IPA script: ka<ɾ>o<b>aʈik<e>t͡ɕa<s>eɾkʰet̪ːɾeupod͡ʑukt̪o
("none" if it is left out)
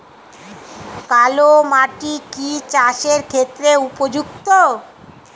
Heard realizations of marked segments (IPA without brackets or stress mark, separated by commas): l, m, i, ʃ